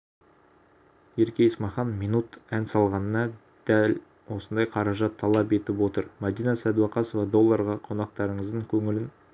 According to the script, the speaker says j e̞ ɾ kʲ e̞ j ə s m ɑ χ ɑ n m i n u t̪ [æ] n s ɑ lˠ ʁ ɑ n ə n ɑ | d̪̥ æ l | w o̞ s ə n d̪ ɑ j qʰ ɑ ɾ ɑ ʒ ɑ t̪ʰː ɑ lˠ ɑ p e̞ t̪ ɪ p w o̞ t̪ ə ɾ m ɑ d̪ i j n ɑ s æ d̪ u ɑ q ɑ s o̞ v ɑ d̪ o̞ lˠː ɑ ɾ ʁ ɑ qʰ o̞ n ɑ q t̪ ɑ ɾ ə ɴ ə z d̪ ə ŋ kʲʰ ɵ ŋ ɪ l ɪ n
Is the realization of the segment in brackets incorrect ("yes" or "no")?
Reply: no